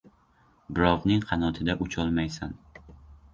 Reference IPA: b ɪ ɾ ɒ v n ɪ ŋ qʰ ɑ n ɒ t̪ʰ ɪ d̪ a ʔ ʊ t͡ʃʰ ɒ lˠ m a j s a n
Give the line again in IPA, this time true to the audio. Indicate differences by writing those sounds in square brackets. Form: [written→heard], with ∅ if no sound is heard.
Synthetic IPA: b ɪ ɾ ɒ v n ɪ ŋ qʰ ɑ n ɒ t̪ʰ ɪ d̪ a ʔ ʊ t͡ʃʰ ɒ lˠ m a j s a n

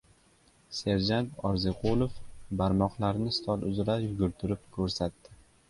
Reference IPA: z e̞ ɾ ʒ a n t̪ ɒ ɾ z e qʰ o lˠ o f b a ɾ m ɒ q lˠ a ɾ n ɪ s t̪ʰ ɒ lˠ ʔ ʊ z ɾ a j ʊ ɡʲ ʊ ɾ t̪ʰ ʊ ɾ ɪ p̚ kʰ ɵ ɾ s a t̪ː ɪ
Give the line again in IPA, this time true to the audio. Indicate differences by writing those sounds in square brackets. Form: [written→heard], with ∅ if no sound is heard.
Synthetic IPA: [z→s] e̞ ɾ [ʒ→d͡ʒ] a n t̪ ɒ ɾ z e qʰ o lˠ o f b a ɾ m ɒ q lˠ a ɾ n ɪ s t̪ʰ ɒ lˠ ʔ ʊ z ɾ a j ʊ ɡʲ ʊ ɾ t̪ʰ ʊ ɾ ɪ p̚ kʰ ɵ ɾ s a t̪ː ɪ

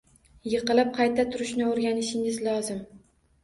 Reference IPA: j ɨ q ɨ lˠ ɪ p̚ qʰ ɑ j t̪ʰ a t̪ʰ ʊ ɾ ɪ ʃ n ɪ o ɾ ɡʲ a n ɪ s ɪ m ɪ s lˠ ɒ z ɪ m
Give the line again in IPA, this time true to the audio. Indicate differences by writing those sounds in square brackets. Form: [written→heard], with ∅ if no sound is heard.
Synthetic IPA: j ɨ q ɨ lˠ ɪ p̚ qʰ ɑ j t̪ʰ a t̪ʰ ʊ ɾ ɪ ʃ n ɪ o ɾ ɡʲ a n ɪ [s→ʃ] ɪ [m→ŋ] ɪ [s→z] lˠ ɒ z ɪ m

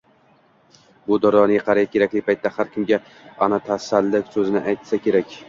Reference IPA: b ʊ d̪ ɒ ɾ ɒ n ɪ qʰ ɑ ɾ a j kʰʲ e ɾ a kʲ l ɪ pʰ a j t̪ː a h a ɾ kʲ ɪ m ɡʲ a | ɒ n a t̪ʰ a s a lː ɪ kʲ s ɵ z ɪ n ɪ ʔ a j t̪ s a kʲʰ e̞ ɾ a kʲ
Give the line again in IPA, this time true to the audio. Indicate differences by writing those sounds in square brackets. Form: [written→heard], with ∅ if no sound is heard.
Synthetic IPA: b ʊ d̪ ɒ ɾ ɒ n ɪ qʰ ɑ ɾ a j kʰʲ e ɾ a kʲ l ɪ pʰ a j t̪ː a h a ɾ kʲ ɪ m ɡʲ a | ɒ n a t̪ʰ a s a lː ɪ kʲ s ɵ z ɪ n ɪ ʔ a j t̪ s a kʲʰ e̞ ɾ a kʲ

